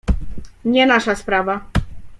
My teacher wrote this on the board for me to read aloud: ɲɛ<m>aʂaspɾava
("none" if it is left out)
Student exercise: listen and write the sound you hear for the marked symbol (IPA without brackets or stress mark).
n